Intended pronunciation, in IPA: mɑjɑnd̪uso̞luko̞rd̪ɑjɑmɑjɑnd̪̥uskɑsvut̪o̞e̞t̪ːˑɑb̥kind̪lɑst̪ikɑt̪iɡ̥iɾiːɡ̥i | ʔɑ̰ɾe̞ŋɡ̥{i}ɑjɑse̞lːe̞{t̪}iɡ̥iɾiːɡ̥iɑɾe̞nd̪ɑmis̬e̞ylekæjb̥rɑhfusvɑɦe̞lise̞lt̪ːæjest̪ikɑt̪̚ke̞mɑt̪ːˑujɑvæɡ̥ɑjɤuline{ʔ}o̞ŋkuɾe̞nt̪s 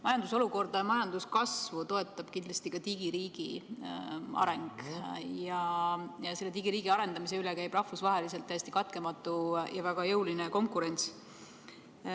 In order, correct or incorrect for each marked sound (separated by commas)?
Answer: incorrect, correct, incorrect